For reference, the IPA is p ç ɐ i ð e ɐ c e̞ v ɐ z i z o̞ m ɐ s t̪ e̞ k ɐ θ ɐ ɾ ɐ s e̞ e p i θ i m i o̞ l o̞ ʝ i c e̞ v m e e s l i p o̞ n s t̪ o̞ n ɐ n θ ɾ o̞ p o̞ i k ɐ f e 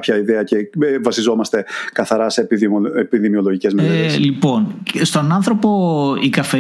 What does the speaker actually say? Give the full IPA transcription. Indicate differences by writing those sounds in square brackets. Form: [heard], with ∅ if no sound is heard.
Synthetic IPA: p ç ɐ i ð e ɐ c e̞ v ɐ [s] i z o̞ m ɐ s t̪ e̞ k ɐ θ ɐ ɾ ɐ s e̞ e p i [ð] i m i o̞ l o̞ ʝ i c e̞ [z] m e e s l i p o̞ n s t̪ o̞ n ɐ n θ ɾ o̞ p o̞ i k ɐ f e